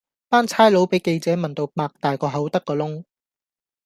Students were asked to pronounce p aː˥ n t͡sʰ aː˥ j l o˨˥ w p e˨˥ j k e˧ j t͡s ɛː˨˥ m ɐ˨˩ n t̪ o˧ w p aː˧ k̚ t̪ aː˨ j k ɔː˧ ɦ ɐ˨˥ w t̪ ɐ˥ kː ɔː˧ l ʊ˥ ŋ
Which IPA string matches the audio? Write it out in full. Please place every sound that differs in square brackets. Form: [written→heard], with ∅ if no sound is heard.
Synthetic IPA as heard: p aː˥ n t͡sʰ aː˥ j l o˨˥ w p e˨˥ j k e˧ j t͡s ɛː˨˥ m ɐ˨˩ n t̪ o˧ w p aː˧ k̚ t̪ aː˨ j k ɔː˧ ɦ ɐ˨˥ w t̪ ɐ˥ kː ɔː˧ l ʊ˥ ŋ